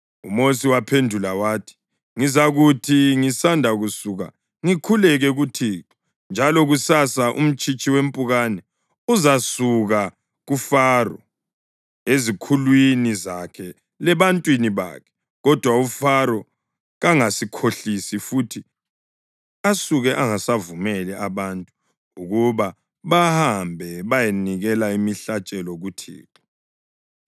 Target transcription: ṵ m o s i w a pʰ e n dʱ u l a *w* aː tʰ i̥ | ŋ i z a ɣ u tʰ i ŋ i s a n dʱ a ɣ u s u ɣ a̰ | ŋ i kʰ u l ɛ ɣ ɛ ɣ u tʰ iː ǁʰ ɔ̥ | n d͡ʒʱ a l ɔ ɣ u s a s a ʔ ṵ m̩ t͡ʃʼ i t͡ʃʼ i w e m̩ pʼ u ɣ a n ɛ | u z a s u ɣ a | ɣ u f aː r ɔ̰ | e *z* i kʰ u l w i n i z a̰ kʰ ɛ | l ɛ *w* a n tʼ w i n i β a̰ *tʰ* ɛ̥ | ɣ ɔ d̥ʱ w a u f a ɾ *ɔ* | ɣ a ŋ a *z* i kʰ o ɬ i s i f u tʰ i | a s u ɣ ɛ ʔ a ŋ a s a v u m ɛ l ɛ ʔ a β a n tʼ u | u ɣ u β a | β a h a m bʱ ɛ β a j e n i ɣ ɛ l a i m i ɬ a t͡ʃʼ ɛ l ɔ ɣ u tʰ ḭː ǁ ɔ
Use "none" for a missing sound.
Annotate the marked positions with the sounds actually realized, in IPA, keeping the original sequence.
w, z, β, kʰ, ɔ, s

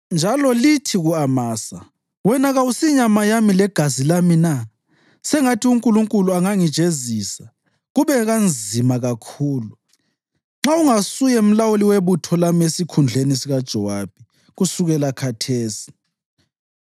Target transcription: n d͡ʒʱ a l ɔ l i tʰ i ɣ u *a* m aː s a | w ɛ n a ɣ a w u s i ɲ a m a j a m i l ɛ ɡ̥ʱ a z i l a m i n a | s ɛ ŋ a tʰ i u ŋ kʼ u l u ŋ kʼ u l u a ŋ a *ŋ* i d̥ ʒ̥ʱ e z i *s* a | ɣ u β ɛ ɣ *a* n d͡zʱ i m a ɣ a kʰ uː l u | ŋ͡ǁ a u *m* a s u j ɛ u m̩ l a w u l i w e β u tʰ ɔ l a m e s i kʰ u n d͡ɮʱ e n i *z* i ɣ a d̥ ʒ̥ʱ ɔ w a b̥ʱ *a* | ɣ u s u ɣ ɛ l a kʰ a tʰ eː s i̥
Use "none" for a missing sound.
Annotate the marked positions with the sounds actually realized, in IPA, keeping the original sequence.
a, ŋ, s, a, ŋ, s, i

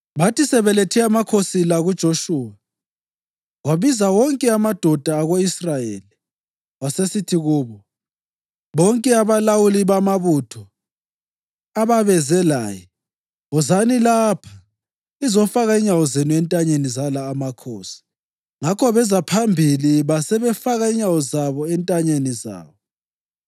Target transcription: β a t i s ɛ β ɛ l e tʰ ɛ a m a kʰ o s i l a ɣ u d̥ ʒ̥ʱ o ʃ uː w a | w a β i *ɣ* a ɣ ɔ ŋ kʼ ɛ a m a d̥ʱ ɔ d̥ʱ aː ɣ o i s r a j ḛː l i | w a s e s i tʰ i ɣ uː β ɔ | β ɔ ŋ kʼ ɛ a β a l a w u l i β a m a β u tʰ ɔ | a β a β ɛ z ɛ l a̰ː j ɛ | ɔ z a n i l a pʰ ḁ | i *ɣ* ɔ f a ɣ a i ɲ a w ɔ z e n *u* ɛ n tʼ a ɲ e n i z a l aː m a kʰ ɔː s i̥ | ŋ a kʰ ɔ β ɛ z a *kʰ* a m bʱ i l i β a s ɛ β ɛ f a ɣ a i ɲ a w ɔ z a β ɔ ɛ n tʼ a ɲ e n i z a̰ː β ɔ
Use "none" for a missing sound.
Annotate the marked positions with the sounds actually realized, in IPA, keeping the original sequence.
z, z, u, pʰ

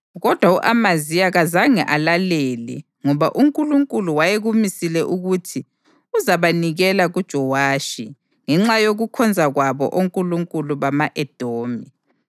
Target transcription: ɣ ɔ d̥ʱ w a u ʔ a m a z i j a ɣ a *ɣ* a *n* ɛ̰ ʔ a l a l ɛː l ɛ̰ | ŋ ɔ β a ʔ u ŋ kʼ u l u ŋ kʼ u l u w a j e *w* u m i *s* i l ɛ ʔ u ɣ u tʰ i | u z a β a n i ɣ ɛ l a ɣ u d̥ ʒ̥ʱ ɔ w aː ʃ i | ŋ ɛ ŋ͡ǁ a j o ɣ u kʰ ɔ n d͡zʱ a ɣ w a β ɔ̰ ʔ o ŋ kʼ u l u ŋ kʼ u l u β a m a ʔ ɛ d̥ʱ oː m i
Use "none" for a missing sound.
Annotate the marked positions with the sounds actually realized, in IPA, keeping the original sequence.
z, ŋ, ɣ, s

